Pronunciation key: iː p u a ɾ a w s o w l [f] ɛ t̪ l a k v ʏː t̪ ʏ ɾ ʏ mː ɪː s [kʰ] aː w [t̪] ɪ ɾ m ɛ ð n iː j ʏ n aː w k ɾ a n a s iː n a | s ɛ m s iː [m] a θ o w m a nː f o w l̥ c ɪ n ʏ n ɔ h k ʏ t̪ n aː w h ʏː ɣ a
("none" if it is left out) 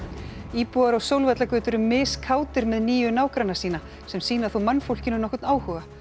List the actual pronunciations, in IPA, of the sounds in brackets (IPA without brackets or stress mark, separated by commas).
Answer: v, kʰ, t̪, n